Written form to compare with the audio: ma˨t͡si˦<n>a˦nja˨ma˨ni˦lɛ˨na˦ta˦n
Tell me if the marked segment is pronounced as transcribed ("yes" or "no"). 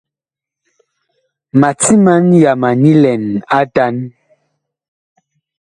no